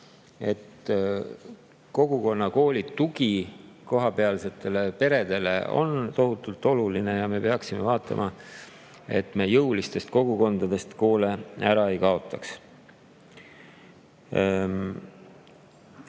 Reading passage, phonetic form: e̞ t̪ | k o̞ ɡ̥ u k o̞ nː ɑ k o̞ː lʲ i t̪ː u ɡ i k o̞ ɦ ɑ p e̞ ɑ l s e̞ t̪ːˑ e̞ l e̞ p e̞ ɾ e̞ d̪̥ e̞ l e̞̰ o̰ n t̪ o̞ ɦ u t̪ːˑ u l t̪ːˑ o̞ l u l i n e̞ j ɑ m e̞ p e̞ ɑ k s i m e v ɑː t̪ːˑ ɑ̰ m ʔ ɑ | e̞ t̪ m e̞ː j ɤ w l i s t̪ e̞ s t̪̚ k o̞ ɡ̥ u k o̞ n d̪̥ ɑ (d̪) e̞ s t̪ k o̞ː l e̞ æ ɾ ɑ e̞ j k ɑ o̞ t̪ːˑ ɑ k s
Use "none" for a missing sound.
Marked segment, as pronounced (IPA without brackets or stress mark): d̪